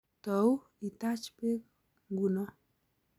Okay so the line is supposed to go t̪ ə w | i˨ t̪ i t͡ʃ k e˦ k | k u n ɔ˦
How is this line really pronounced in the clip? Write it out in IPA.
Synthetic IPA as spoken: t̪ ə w | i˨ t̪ a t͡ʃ p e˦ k | ɡ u n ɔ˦